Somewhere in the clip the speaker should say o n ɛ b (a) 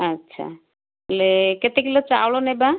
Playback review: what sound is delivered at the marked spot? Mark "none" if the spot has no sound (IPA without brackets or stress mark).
a